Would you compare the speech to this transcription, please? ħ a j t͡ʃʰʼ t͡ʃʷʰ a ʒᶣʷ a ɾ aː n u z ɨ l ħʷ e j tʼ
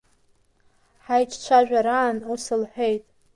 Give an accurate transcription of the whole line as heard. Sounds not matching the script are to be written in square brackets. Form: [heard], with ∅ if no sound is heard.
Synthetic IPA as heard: ħ a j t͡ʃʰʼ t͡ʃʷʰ a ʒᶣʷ a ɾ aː n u [s] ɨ l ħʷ e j tʼ